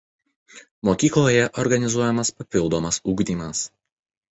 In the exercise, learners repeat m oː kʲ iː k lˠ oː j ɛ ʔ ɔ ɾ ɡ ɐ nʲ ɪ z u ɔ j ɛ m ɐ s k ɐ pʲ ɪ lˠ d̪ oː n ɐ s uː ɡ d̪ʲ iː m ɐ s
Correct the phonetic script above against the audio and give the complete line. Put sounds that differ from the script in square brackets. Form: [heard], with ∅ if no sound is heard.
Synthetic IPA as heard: m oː kʲ iː k lˠ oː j ɛ ʔ ɔ ɾ ɡ ɐ nʲ ɪ z u ɔ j ɛ m ɐ s [p] ɐ pʲ ɪ lˠ d̪ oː [m] ɐ s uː ɡ d̪ʲ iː m ɐ s